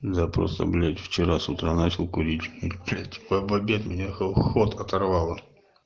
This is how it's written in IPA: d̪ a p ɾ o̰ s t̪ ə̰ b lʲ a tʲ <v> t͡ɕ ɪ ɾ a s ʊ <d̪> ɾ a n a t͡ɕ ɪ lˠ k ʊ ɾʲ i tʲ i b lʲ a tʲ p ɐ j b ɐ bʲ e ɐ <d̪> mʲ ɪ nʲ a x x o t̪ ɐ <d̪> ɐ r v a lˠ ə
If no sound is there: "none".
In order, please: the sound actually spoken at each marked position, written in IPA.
f, t̪, t̪, t̪

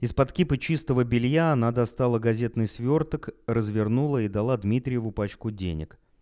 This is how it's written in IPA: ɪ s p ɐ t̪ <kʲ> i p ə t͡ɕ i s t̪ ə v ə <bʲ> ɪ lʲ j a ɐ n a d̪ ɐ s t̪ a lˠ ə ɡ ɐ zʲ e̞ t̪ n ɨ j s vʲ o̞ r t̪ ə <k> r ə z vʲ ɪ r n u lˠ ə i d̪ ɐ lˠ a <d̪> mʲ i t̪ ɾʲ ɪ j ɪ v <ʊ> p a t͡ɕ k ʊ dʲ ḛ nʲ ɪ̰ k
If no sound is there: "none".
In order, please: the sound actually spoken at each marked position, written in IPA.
kʲ, bʲ, k, d̪, ʊ

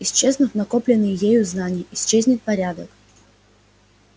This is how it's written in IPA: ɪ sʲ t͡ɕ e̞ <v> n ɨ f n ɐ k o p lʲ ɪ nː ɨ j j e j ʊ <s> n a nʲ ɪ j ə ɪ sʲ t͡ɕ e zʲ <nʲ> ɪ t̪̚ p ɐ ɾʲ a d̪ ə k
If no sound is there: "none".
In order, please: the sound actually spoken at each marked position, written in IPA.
z, z, nʲ

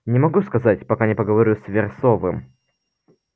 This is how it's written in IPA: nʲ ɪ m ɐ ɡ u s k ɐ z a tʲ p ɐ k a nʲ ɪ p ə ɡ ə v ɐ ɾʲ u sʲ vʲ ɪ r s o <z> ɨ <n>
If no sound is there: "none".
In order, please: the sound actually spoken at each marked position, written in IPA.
v, m

